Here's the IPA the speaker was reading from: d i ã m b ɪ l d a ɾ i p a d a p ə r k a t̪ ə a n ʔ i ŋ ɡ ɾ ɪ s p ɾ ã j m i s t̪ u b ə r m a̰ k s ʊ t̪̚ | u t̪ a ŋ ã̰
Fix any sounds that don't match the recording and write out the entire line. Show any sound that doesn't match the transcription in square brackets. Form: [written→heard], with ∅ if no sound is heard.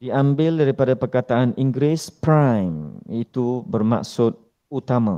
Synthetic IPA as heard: d i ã m b ɪ l d a ɾ i p a d a p ə r k a t̪ [ə→a] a n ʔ i ŋ ɡ ɾ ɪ s p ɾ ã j m i [s→∅] t̪ u b ə r m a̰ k s ʊ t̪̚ | u t̪ a [ŋ→m] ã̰